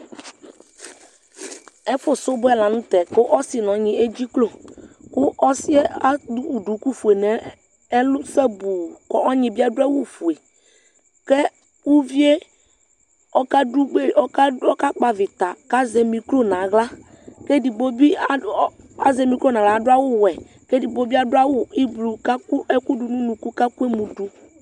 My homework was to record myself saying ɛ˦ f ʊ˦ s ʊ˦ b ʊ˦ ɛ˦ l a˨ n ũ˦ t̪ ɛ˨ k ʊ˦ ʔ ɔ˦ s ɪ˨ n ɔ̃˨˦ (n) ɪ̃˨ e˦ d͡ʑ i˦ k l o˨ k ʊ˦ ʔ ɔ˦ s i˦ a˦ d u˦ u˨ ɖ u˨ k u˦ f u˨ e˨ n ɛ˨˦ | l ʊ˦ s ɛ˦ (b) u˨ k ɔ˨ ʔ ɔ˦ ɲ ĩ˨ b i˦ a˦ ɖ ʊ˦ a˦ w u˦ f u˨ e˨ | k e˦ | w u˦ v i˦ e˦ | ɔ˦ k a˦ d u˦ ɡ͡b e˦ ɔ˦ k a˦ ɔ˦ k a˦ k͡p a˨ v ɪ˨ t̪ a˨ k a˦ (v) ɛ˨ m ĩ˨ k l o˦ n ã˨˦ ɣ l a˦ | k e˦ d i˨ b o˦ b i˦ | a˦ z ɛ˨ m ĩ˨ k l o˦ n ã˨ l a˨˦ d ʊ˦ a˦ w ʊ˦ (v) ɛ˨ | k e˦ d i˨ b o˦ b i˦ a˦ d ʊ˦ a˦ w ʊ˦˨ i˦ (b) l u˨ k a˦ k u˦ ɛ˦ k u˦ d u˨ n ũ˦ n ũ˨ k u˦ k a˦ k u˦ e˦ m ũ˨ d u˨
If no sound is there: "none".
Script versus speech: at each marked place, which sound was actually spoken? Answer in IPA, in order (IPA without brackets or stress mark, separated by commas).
ɲ, b, z, w, b